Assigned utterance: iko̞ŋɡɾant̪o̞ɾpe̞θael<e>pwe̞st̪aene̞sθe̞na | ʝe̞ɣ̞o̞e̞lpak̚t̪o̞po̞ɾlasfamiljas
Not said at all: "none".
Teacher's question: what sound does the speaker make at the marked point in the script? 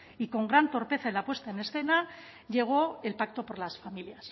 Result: a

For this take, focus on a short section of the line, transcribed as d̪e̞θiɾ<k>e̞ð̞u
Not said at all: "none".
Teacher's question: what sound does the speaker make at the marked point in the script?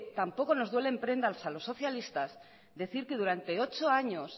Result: k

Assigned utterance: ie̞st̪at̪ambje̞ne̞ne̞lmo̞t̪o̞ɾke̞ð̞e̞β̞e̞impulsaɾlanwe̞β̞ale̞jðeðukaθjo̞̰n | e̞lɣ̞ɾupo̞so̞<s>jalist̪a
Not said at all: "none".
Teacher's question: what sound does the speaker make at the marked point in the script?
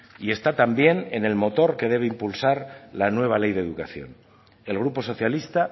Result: θ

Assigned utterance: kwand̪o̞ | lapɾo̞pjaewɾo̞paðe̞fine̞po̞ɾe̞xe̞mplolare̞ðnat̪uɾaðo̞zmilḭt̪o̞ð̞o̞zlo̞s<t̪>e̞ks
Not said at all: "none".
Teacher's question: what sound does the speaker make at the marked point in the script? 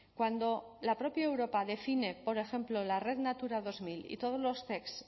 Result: t̪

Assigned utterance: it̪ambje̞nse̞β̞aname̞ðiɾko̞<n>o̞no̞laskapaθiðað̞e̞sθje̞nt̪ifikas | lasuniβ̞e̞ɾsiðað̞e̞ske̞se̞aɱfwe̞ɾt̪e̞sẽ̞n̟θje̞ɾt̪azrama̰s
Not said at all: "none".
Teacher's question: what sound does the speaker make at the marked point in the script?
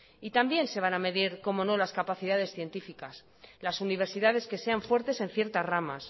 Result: m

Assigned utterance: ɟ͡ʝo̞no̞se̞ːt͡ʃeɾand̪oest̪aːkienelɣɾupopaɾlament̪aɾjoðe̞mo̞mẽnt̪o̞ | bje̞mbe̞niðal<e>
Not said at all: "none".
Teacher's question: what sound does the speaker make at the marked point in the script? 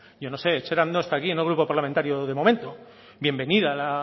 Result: a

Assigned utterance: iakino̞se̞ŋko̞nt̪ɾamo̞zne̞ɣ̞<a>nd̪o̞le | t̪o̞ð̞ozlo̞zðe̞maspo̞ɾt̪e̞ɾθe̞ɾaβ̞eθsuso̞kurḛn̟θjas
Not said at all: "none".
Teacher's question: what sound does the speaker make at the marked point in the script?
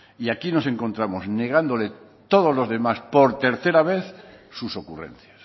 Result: a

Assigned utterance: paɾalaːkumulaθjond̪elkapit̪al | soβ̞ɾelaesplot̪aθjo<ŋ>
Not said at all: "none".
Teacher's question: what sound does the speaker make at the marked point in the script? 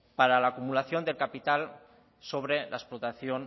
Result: n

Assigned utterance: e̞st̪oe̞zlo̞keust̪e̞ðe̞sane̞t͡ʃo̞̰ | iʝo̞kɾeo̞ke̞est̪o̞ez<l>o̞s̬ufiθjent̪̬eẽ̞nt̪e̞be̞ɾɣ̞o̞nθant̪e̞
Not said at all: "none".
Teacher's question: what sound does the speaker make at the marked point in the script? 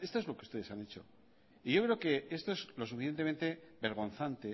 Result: l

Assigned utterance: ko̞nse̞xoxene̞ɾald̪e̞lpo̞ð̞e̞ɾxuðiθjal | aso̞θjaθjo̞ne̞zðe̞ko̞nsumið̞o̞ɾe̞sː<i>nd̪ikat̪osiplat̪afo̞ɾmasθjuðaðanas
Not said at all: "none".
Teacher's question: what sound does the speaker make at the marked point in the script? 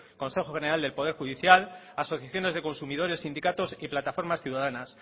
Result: i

